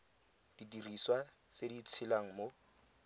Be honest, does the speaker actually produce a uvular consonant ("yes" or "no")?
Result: no